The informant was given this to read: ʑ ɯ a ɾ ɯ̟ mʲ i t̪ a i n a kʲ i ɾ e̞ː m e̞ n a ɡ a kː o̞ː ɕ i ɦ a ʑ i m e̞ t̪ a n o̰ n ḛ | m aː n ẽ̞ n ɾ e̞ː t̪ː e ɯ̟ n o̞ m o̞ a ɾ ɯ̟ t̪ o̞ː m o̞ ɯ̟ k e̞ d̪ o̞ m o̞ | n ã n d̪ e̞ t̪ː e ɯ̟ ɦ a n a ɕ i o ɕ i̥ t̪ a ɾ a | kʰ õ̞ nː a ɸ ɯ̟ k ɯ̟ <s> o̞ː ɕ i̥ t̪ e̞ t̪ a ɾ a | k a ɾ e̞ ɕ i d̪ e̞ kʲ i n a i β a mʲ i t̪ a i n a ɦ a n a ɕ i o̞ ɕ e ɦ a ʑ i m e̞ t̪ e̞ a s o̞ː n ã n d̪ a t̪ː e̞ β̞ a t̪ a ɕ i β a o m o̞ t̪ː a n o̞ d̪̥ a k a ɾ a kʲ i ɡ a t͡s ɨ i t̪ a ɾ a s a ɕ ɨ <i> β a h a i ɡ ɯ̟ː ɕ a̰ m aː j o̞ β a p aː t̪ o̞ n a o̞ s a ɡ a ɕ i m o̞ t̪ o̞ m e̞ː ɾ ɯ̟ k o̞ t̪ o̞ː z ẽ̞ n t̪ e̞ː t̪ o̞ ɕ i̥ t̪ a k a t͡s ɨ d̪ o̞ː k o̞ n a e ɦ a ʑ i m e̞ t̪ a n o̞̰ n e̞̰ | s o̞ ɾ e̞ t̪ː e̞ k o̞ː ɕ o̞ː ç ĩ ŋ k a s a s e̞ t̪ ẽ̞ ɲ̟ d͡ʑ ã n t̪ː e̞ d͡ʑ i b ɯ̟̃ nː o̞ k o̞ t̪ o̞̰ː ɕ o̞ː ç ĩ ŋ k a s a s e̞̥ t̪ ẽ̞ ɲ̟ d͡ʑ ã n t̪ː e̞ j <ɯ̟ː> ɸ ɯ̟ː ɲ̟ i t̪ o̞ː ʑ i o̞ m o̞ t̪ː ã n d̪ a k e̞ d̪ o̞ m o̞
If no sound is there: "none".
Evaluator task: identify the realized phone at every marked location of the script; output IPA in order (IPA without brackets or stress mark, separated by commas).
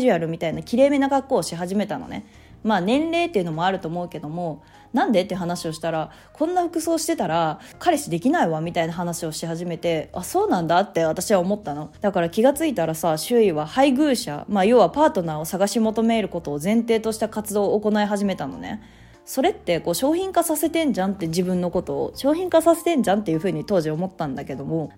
s, i, ɯ̟